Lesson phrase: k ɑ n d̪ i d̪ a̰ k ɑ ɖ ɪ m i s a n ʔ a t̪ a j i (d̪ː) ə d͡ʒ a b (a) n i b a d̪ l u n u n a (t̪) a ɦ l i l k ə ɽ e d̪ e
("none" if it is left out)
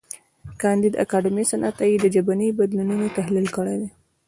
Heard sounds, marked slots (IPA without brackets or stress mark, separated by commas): d̪, a, t̪